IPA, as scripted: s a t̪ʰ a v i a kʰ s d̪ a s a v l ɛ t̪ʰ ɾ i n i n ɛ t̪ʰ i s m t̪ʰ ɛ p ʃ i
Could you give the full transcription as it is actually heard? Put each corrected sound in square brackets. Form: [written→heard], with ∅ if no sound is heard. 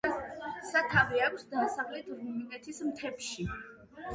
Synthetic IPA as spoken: s a t̪ʰ a v i a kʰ s d̪ a s a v l ɛ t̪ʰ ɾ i [n→m] i n ɛ t̪ʰ i s m t̪ʰ ɛ p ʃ i